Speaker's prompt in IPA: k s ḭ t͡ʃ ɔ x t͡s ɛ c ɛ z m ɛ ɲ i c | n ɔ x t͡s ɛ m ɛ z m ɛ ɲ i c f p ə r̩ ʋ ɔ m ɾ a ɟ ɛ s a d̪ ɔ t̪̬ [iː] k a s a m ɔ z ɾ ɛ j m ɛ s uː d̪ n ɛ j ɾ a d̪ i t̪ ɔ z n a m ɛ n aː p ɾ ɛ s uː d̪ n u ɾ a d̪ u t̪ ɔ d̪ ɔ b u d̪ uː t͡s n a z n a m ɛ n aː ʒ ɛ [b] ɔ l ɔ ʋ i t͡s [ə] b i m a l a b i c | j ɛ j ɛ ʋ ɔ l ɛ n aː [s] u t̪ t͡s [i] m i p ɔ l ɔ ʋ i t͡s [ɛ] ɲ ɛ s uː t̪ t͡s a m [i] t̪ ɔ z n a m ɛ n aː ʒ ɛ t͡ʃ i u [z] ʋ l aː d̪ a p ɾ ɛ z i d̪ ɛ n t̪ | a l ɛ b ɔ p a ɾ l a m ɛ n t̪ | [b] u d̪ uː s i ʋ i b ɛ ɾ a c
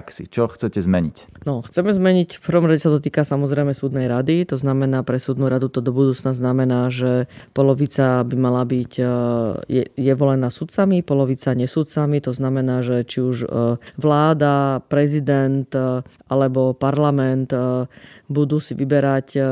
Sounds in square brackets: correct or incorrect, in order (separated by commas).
correct, incorrect, incorrect, correct, incorrect, incorrect, correct, incorrect, correct